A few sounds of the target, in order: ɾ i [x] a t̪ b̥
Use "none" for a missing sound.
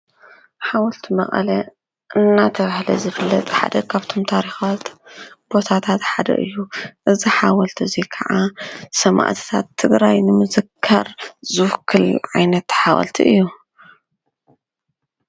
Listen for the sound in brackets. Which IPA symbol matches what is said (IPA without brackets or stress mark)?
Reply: x